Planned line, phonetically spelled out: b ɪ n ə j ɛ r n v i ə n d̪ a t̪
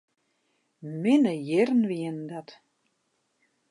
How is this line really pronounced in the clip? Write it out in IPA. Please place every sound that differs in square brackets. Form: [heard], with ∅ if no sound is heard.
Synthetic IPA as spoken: [m] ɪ n ə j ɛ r n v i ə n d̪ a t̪